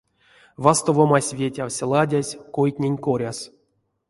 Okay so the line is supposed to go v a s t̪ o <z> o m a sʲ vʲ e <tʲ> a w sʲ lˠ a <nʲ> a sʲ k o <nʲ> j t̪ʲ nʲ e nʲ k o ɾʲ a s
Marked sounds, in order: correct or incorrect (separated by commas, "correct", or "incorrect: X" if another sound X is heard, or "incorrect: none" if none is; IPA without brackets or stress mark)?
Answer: incorrect: v, correct, incorrect: dʲ, incorrect: none